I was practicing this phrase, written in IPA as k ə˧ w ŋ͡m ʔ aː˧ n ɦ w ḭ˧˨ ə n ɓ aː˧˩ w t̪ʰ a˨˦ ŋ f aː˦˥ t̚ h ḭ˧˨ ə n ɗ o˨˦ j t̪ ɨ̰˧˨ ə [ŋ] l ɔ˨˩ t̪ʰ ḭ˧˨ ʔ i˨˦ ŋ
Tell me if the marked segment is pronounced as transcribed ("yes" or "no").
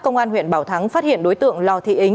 yes